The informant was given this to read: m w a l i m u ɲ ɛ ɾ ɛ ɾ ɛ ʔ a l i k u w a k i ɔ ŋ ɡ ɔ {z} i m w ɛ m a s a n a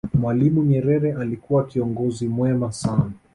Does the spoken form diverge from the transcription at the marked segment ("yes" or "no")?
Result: no